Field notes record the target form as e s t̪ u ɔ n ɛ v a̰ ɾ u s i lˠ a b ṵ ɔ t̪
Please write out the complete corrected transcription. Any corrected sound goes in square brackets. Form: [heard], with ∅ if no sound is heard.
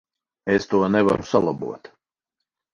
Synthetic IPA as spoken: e s t̪ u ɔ n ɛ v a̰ ɾ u s [a] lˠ a b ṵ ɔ t̪